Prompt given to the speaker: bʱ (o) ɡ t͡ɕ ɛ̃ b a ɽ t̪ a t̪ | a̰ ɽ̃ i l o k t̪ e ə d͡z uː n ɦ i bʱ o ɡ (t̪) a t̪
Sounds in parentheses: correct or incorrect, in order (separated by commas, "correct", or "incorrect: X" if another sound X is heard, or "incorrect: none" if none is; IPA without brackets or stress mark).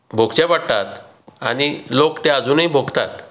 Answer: correct, correct